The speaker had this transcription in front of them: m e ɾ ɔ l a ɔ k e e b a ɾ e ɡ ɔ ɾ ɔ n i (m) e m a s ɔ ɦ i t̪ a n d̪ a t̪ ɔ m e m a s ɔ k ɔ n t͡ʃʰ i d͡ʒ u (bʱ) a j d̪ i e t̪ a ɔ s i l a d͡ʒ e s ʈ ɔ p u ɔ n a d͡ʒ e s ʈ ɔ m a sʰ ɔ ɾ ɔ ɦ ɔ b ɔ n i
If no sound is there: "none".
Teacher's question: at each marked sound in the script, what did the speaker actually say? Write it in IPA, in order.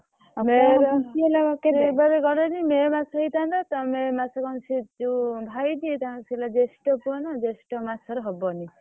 m, bʱ

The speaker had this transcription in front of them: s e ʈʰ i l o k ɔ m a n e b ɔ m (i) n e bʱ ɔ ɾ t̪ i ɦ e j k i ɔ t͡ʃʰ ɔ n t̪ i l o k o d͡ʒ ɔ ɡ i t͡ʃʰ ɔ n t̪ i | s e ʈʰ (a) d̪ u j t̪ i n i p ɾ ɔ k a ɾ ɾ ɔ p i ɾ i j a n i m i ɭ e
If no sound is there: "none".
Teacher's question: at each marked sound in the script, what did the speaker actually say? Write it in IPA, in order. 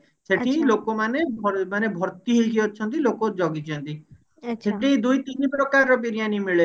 a, i

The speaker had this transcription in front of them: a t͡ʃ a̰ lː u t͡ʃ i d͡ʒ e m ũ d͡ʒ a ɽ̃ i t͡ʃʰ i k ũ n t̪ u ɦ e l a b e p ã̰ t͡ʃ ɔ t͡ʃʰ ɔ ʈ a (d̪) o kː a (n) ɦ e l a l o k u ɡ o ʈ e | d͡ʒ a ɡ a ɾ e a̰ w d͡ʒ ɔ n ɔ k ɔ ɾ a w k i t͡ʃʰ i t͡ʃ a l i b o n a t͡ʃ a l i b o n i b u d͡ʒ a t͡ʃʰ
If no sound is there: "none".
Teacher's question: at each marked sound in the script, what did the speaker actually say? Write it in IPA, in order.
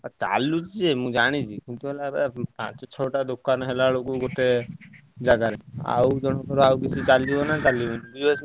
d̪, n

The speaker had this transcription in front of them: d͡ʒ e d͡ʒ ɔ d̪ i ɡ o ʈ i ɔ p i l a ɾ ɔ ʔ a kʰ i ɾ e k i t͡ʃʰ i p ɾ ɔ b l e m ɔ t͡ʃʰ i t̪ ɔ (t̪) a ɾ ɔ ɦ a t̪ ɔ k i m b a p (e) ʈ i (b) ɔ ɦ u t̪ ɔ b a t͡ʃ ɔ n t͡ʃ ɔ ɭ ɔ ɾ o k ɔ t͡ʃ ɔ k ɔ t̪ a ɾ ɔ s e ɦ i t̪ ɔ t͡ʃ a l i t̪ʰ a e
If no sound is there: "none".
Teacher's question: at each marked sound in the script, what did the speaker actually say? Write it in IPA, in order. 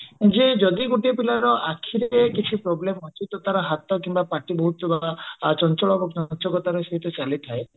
t̪, a, b

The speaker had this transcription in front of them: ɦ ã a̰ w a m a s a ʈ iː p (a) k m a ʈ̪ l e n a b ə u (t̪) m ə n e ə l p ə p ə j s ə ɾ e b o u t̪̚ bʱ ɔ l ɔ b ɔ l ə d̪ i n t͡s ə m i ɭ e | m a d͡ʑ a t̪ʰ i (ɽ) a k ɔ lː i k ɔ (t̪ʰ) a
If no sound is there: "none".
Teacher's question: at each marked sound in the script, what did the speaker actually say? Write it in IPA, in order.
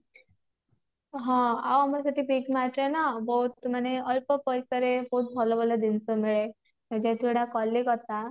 i, t̪, ɽ, t̪

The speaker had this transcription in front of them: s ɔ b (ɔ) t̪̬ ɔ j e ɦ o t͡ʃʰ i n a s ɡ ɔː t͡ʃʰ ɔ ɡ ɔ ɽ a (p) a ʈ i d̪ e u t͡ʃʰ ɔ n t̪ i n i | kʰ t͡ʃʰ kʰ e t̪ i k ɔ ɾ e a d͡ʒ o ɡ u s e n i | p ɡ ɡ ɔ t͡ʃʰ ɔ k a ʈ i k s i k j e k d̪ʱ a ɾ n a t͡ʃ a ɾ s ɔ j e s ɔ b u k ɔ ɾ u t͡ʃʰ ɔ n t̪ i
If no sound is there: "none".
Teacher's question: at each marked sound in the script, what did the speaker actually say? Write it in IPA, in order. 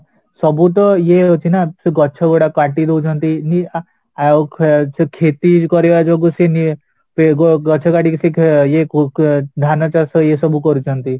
u, k

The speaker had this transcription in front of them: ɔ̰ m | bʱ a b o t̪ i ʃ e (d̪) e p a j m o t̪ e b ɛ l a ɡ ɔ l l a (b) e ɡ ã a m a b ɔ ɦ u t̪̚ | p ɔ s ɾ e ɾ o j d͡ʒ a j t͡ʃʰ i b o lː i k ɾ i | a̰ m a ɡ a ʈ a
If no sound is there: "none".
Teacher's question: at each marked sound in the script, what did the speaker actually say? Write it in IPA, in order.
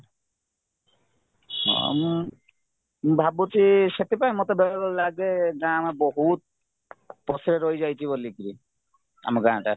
t̪, ɡ

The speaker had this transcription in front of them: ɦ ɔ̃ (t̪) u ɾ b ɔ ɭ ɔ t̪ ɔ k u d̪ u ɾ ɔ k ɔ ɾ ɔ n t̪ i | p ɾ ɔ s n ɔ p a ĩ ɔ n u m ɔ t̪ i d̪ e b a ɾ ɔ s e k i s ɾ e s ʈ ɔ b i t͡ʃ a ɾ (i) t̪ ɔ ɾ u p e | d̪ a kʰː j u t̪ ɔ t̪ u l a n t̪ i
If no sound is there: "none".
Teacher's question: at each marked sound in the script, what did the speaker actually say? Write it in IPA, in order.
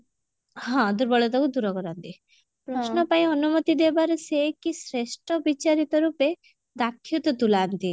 d̪, i

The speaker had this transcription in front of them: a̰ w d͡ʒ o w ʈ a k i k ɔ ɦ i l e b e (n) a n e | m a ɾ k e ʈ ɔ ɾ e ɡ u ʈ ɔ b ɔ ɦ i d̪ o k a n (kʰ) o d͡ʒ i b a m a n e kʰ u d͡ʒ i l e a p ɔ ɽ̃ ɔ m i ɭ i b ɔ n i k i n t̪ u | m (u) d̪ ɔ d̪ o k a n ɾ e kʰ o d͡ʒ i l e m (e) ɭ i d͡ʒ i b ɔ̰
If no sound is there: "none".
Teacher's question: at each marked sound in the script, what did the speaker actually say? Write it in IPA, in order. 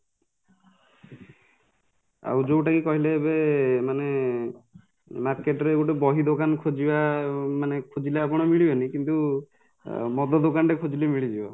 m, kʰ, ɔ, i

